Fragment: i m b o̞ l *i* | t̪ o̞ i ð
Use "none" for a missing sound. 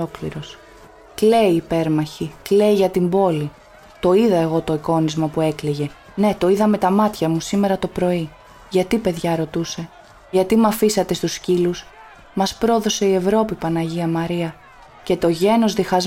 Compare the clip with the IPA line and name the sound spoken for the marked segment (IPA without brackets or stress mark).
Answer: i